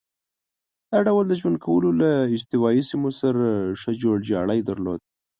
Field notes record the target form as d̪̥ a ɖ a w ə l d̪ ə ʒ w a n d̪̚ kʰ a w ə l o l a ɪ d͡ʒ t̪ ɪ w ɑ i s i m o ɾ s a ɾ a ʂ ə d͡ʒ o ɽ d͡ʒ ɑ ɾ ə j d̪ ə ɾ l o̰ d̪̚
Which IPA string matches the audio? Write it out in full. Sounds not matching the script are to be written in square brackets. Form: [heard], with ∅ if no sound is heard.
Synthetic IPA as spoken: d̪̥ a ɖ a w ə l d̪ ə ʒ w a n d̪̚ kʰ a w ə l o l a ɪ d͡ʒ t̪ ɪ w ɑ i s i m o [∅] s a ɾ a ʂ ə d͡ʒ o ɽ d͡ʒ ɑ [ɽ] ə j d̪ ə ɾ l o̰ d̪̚